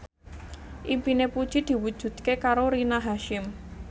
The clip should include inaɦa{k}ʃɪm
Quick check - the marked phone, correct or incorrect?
incorrect